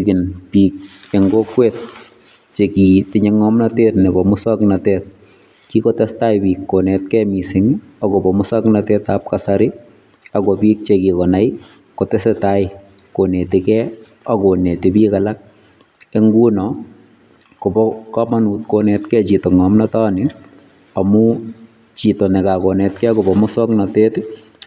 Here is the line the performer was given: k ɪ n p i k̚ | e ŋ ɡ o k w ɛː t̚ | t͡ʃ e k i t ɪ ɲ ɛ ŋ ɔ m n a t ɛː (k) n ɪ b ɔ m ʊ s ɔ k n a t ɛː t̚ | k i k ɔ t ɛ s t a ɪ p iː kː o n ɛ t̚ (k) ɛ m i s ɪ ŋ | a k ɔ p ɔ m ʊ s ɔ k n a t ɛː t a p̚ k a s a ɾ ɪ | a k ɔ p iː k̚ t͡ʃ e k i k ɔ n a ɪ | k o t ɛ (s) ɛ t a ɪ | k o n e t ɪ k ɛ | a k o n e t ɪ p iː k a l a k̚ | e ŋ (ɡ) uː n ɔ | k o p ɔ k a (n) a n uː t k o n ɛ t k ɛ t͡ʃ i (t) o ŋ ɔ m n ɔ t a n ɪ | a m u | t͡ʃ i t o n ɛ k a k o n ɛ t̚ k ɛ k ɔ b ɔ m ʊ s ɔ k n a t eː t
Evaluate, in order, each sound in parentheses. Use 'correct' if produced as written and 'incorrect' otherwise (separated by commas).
incorrect, correct, correct, correct, incorrect, correct